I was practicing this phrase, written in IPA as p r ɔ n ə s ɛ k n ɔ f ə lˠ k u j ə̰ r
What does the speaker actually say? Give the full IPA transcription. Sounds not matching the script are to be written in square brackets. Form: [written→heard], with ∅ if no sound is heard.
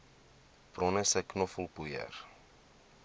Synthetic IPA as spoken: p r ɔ n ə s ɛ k n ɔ f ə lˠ [k→p] u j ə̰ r